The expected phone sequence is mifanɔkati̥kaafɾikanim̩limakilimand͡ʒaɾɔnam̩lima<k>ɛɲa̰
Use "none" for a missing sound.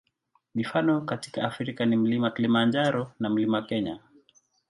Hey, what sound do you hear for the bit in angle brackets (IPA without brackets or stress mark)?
k